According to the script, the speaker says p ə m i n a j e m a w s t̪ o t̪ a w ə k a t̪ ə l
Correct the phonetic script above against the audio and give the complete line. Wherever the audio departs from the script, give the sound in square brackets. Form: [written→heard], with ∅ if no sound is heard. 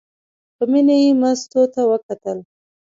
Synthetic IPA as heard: p ə m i n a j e m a [w→∅] s t̪ o t̪ a w ə k a t̪ ə l